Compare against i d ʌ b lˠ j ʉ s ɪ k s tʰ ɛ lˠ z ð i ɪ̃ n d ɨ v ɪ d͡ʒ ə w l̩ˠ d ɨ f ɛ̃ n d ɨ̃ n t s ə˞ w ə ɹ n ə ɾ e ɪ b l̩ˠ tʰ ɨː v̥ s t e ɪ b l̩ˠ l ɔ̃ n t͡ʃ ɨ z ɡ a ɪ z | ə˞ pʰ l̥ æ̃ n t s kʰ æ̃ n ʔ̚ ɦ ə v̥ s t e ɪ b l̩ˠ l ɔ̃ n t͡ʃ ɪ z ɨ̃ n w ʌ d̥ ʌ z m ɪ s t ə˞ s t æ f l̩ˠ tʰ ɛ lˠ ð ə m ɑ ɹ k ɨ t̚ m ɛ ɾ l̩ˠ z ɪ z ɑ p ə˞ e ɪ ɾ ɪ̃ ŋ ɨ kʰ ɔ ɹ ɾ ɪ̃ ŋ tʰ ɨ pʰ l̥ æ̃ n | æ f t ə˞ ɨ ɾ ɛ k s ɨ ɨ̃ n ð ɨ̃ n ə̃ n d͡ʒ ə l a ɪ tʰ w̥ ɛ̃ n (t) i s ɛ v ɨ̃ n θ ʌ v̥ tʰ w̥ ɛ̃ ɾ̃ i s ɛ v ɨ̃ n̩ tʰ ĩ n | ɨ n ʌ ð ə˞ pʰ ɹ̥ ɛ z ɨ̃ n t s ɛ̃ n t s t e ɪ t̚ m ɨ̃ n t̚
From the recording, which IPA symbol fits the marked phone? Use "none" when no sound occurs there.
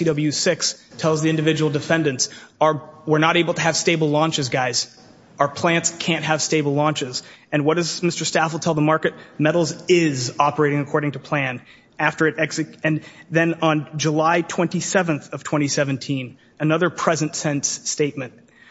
t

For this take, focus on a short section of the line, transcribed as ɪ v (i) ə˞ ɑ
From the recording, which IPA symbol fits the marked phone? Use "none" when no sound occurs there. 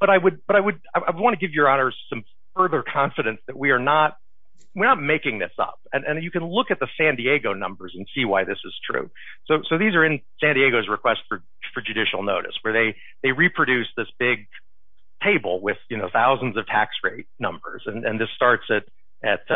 j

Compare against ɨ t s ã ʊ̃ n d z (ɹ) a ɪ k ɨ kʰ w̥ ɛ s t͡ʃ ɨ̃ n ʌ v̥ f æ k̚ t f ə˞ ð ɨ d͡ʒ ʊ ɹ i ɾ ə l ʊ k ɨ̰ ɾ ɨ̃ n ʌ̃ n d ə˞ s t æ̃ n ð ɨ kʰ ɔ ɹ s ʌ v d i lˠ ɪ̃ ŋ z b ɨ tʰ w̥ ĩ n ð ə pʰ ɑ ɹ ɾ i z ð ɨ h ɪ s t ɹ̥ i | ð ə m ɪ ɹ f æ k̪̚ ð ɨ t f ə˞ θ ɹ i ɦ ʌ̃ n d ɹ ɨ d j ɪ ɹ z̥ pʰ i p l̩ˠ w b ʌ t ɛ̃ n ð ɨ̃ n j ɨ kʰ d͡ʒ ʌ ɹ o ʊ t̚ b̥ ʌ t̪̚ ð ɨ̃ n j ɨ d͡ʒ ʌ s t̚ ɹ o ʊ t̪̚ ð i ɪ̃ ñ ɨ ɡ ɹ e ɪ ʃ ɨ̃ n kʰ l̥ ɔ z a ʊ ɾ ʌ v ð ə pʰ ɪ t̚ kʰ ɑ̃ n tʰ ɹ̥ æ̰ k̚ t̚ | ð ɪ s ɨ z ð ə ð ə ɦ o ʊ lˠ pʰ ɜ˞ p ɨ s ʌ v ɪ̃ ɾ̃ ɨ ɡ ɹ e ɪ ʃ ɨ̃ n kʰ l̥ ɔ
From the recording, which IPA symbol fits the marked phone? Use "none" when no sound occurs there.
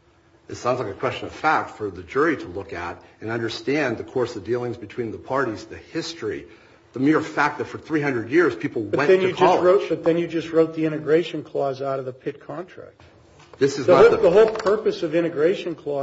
l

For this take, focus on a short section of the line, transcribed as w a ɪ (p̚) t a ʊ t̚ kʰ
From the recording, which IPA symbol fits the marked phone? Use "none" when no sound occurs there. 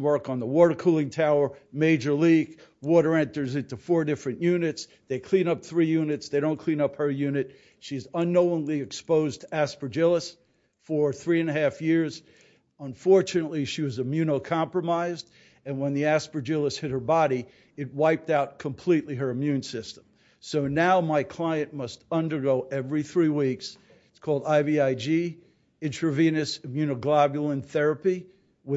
p̚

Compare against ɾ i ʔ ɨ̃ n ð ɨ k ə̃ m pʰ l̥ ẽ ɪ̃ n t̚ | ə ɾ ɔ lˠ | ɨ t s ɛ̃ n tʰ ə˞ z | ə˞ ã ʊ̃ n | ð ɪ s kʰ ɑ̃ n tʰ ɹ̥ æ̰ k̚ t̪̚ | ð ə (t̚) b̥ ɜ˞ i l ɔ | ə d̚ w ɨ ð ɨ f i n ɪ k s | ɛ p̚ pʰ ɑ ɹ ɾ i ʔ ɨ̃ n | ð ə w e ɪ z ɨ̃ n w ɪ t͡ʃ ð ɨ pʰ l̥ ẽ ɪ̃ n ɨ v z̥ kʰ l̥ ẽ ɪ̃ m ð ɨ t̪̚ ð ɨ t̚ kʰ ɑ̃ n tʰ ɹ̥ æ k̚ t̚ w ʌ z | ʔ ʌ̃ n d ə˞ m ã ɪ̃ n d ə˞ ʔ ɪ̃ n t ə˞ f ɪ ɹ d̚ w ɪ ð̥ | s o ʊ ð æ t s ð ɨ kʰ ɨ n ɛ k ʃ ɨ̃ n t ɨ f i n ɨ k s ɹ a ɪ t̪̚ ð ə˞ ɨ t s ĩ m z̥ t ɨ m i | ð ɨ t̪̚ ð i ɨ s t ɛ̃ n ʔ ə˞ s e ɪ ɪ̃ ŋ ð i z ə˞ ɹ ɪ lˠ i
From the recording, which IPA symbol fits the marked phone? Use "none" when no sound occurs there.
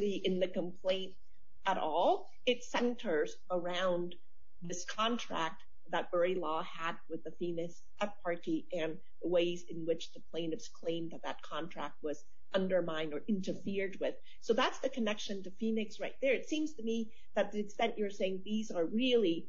t̚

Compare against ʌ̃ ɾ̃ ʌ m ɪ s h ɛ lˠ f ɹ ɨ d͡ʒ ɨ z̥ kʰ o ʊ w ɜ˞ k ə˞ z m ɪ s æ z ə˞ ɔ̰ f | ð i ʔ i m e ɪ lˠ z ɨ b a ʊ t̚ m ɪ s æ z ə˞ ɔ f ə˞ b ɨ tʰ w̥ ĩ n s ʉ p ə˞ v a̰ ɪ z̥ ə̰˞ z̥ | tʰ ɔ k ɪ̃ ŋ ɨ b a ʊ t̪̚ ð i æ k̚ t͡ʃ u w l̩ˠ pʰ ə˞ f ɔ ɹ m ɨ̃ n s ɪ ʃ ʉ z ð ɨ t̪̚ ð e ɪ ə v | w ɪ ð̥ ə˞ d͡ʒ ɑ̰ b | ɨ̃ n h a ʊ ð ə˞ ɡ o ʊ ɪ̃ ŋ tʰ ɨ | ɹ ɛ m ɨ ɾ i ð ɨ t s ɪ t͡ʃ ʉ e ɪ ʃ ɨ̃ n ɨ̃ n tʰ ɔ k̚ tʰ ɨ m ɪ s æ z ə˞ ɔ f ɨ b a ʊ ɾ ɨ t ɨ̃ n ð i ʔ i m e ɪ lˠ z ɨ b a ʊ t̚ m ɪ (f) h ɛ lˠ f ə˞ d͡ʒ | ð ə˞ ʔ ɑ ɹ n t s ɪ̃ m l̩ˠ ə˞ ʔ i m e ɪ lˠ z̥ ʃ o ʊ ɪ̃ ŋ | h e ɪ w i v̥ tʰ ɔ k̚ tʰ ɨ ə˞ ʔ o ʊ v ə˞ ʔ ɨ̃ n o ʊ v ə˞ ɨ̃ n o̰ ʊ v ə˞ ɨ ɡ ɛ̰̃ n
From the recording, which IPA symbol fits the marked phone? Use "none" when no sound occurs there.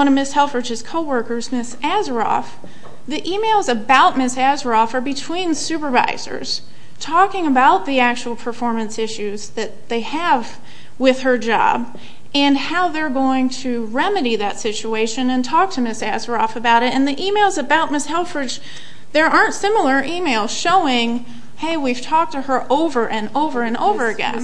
s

